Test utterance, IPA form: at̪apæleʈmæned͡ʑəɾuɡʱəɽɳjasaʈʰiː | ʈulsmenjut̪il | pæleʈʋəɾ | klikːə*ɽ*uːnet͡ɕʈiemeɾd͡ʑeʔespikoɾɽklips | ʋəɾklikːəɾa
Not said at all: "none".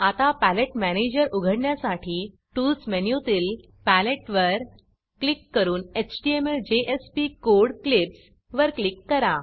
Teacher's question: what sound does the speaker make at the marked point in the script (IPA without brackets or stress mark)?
ɾ